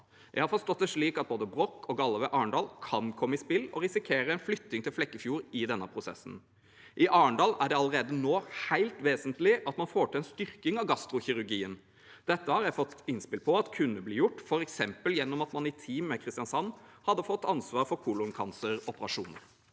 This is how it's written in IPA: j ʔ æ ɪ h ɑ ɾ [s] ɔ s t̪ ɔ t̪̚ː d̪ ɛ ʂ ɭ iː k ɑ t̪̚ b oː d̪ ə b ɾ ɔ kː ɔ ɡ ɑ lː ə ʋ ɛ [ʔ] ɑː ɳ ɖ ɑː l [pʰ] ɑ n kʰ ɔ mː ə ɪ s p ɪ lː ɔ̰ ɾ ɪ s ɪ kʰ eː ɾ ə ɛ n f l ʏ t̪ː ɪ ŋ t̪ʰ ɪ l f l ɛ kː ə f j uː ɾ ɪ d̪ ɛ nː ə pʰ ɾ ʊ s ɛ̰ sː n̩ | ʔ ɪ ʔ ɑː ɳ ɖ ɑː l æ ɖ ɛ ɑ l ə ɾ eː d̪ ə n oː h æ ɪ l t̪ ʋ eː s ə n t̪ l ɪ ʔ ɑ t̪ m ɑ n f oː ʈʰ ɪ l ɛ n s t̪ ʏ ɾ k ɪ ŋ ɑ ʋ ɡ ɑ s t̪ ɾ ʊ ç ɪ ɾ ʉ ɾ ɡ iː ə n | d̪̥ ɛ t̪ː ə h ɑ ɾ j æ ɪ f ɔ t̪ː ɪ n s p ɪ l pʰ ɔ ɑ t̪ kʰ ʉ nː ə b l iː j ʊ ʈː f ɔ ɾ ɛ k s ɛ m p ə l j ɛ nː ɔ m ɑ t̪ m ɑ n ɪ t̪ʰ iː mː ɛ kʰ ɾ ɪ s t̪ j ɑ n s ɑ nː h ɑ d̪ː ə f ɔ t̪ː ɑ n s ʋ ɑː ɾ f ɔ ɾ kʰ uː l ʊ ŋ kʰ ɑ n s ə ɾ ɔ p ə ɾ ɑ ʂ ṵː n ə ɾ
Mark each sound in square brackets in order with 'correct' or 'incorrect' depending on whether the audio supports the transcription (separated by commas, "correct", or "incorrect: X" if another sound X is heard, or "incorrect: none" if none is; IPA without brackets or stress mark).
incorrect: f, correct, incorrect: kʰ